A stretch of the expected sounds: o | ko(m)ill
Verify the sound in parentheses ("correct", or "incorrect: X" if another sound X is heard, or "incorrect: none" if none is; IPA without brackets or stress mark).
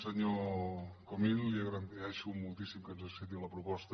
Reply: correct